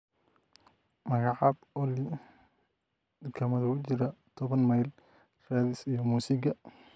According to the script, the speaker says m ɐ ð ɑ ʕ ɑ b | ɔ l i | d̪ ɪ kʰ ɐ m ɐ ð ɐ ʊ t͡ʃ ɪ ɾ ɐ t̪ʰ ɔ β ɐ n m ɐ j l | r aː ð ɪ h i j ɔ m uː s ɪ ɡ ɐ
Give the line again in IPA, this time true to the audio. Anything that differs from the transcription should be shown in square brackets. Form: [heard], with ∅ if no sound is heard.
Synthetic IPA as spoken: m ɐ [ɣ] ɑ ʕ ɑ b | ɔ l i | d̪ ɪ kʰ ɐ m ɐ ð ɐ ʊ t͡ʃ ɪ ɾ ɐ t̪ʰ ɔ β ɐ n m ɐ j l | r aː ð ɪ [s] i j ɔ m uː s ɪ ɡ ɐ